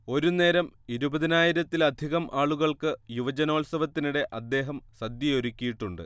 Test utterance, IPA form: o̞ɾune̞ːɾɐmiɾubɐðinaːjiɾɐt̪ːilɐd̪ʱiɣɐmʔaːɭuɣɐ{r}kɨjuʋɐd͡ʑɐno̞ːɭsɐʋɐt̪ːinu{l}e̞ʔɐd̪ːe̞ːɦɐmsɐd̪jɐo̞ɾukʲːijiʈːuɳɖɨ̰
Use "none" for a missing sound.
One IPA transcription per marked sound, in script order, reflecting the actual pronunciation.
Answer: ɭ, ɽ

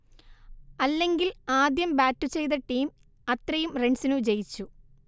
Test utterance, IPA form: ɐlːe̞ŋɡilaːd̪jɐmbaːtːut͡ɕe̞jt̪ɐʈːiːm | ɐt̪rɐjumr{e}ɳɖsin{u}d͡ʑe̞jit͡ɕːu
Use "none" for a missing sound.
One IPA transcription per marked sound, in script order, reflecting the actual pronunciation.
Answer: e, u

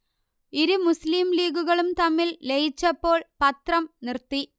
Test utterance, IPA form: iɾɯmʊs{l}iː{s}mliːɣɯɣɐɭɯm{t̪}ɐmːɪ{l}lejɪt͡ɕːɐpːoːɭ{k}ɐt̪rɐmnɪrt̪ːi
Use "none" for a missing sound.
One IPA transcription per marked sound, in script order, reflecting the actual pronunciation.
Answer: l, none, t̪, l, p

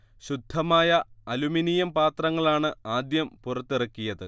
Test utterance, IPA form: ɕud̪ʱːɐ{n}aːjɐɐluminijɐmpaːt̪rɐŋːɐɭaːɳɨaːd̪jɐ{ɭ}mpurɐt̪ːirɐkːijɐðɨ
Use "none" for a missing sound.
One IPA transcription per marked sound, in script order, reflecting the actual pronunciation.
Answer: m, none

